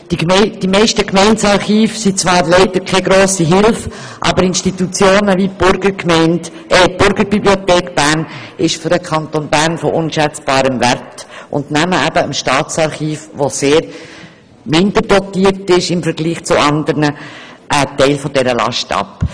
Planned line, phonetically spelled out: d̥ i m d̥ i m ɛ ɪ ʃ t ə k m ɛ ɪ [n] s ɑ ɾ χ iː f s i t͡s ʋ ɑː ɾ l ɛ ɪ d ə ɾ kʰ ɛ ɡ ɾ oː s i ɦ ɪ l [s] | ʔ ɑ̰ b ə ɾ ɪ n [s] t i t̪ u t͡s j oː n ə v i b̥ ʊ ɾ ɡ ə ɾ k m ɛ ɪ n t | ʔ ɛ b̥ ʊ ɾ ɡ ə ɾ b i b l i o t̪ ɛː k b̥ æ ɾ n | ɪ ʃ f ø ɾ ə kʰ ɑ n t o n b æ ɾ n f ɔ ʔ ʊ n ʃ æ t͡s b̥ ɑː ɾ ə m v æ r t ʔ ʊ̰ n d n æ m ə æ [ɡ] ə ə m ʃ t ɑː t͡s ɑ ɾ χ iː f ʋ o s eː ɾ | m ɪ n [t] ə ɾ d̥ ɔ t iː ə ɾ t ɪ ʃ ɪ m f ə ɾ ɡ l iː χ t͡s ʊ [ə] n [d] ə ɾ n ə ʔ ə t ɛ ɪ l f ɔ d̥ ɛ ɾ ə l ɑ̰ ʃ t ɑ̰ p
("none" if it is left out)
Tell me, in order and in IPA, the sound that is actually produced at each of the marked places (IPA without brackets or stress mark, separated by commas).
n, f, ʃ, b, d, ɑ, d